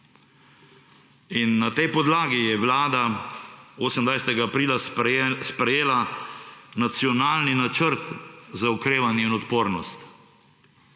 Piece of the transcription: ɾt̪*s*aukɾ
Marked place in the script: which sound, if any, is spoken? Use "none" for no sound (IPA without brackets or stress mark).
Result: z